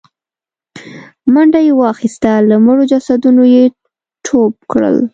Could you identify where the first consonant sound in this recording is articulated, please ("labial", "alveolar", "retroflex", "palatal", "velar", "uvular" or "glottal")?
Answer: labial